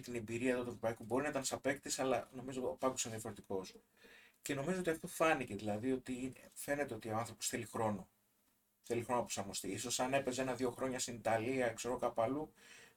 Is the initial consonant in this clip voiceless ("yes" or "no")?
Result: yes